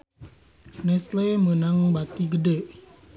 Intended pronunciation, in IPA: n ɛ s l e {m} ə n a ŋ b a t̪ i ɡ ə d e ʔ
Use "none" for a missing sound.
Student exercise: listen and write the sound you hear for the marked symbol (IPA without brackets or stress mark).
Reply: m